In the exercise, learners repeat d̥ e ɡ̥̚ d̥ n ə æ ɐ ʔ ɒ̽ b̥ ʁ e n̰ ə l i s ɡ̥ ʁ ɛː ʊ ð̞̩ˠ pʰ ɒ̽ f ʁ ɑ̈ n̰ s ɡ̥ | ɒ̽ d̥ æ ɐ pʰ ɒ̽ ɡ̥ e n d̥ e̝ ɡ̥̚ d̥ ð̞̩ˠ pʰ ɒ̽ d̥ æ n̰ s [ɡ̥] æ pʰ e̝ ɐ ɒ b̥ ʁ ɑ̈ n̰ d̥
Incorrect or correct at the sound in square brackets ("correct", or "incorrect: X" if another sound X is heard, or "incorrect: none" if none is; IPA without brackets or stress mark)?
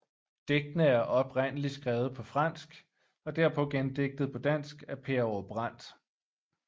correct